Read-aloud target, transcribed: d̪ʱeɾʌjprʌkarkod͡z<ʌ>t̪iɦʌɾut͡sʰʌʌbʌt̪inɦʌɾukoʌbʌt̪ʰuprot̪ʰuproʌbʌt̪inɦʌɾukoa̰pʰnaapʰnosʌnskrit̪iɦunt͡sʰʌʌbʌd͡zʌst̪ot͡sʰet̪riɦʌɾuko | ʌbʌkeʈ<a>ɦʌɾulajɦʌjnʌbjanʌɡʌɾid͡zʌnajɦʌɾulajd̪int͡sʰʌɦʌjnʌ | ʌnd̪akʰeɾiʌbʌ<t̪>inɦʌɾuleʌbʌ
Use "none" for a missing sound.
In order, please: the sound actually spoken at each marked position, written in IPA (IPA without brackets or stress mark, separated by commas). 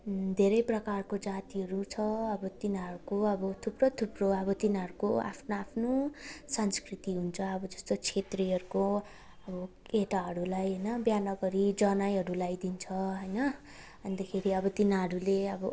a, a, t̪